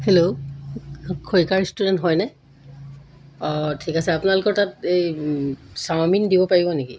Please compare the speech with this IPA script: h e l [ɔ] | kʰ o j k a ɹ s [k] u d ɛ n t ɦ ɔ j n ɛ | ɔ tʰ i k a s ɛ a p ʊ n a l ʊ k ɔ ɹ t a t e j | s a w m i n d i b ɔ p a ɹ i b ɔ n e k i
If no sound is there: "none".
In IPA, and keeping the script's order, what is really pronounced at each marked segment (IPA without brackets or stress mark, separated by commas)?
o, t